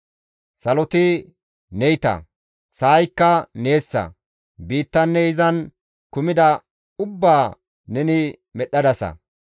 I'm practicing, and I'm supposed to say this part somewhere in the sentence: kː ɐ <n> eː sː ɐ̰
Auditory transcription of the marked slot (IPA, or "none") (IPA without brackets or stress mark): n